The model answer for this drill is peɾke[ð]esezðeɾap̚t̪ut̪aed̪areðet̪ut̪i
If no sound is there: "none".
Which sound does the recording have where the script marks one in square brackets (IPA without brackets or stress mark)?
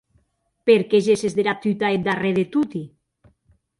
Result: ʒ